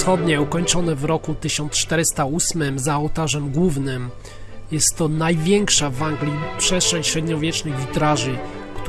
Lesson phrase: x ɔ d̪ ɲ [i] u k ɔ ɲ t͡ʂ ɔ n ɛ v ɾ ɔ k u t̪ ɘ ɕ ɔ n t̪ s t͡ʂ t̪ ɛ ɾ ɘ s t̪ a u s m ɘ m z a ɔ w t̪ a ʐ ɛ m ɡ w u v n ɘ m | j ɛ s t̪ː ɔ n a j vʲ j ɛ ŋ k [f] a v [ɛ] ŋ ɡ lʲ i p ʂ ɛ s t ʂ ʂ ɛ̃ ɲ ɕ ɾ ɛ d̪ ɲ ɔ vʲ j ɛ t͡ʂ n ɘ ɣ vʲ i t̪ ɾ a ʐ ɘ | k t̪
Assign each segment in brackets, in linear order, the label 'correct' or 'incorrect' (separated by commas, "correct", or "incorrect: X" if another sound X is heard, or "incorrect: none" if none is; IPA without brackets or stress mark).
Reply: incorrect: ɛ, incorrect: ʂ, incorrect: a